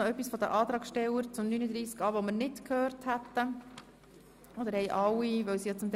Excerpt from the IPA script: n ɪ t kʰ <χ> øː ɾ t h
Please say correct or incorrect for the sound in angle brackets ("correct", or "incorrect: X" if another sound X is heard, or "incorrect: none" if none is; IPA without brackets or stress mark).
incorrect: h